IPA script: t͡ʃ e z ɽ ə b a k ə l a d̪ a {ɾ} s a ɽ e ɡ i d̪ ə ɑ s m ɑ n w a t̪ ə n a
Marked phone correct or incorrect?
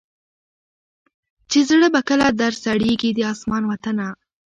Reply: correct